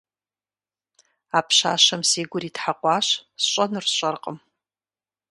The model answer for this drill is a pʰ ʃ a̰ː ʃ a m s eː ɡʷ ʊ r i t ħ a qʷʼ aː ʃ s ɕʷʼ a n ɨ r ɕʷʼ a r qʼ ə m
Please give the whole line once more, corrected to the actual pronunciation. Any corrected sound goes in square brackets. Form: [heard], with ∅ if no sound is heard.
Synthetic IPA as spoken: a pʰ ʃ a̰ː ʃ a m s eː ɡʷ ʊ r i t ħ a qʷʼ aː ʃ s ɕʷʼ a n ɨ r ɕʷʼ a r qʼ ə m

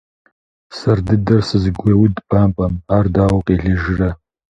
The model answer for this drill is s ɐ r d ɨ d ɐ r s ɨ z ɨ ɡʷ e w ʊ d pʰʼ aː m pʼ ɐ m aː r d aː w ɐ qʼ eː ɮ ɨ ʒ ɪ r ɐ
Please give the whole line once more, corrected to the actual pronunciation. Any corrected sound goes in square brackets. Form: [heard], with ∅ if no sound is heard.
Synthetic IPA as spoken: s ɐ r d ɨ d ɐ r s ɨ z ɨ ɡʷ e w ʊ d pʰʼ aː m pʼ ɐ m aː r d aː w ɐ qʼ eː ɮ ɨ ʒ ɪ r ɐ

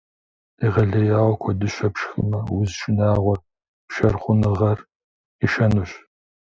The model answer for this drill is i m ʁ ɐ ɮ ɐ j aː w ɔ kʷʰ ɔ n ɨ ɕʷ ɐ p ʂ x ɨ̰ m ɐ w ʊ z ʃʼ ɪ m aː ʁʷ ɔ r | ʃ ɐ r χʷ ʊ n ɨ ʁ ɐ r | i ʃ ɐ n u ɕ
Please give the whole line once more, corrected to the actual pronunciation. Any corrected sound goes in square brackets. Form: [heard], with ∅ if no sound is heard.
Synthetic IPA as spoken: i [∅] ʁ ɐ ɮ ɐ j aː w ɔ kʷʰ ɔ [d] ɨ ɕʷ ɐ p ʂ x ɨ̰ m ɐ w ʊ z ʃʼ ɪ [n] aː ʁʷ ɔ r | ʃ ɐ r χʷ ʊ n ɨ ʁ ɐ r | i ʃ ɐ n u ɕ

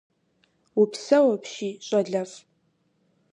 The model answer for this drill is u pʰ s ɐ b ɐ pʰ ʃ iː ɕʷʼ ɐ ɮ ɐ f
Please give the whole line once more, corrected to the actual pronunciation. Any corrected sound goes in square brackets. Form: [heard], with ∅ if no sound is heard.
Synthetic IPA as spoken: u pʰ s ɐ [w] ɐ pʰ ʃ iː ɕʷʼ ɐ ɮ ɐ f

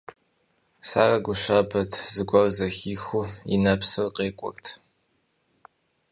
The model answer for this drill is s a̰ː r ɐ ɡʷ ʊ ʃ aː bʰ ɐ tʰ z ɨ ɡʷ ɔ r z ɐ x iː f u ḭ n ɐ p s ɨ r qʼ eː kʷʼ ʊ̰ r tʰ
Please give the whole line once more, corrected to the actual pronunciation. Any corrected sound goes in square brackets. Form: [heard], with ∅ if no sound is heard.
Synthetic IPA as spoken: s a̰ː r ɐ ɡʷ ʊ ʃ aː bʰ ɐ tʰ z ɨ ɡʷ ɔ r z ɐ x iː [x] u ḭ n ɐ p s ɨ r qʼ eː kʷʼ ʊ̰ r tʰ

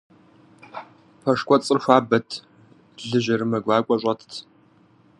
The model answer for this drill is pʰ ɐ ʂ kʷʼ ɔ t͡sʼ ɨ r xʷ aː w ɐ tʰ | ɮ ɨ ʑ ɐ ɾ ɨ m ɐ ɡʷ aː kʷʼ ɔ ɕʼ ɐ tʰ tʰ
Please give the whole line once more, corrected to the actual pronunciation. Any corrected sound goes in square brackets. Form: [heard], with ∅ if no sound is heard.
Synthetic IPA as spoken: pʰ ɐ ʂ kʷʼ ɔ t͡sʼ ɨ r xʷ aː [b] ɐ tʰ | ɮ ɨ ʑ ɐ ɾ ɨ m ɐ ɡʷ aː kʷʼ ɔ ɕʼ ɐ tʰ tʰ

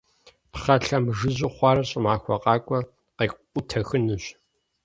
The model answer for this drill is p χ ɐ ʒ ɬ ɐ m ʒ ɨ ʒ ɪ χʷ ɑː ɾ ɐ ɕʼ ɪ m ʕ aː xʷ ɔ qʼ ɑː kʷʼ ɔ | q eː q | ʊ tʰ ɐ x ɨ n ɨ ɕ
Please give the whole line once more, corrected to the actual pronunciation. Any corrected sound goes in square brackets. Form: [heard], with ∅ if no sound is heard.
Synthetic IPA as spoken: p χ ɐ [∅] ɬ ɐ m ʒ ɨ [ʑ] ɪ χʷ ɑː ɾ ɐ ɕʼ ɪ m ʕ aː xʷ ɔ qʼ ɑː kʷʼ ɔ | q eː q | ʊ tʰ ɐ x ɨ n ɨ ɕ

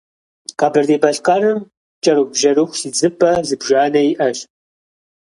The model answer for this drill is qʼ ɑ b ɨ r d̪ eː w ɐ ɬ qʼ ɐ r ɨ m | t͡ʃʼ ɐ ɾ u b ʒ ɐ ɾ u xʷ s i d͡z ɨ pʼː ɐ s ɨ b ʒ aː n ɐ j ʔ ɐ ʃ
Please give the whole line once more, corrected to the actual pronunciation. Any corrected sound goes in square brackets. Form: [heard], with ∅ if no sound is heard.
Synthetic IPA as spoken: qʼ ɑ b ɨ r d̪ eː [b] ɐ ɬ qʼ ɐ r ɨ m | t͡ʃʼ ɐ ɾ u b ʒ ɐ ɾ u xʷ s i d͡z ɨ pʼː ɐ [z] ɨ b ʒ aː n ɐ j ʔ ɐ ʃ

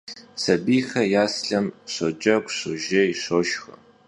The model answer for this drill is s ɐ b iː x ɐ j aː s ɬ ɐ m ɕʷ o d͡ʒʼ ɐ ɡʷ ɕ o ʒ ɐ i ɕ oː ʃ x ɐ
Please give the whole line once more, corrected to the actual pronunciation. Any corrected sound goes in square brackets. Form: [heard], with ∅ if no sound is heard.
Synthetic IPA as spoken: s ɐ b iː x ɐ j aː s ɬ ɐ m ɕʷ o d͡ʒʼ ɐ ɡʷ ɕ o ʒ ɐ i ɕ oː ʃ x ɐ

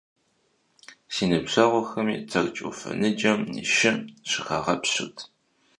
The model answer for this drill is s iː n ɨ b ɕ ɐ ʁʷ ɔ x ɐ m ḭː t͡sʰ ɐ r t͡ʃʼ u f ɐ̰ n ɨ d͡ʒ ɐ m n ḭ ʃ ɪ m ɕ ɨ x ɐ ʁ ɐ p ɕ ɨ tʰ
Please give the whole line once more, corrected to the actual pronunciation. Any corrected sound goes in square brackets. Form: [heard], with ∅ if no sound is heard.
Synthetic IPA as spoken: s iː n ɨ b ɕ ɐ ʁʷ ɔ x ɐ m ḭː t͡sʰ ɐ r t͡ʃʼ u f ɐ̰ n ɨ d͡ʒ ɐ m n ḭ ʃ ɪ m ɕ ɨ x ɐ ʁ ɐ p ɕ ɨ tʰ

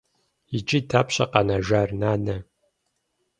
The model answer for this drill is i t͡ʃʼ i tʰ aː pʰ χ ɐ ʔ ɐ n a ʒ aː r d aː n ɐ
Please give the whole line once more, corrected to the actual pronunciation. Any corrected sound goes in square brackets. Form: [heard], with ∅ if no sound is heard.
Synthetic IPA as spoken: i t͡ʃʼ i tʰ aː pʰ [ɕ] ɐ [q] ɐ n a ʒ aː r [n] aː n ɐ

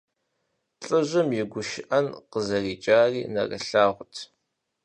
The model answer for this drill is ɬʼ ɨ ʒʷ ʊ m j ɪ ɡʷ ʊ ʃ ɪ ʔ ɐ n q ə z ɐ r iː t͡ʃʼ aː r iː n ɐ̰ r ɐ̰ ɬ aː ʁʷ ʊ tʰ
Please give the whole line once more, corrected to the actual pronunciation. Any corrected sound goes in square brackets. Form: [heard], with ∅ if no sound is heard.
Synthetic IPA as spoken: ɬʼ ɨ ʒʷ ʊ m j ɪ ɡʷ ʊ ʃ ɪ ʔ ɐ n q ə z ɐ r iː t͡ʃʼ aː r iː n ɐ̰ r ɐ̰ ɬ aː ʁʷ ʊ tʰ

